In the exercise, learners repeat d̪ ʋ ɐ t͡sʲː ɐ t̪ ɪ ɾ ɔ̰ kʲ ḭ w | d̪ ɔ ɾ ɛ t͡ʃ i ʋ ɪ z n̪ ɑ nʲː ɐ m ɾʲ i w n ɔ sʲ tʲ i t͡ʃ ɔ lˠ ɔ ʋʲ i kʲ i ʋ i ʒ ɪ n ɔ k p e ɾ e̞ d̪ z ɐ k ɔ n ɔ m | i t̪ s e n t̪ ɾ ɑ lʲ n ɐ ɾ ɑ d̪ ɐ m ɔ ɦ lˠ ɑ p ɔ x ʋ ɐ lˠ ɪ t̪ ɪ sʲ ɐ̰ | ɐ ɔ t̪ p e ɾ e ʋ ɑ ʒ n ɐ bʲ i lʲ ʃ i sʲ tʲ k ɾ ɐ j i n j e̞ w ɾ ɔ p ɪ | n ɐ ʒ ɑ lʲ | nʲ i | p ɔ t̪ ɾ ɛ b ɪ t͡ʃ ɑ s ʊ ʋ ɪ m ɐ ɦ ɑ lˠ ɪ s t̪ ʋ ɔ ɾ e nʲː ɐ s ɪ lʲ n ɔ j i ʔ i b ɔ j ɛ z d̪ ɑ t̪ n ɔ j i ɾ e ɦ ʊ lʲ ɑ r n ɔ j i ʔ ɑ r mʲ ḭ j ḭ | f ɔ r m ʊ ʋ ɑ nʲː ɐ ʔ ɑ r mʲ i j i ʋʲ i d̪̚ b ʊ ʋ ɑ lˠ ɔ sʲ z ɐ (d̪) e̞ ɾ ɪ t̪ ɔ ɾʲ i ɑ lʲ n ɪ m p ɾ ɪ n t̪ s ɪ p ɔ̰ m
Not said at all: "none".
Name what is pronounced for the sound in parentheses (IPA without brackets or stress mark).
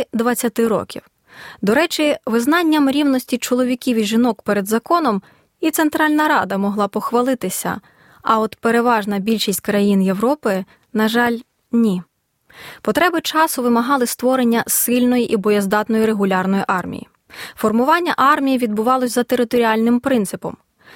t̪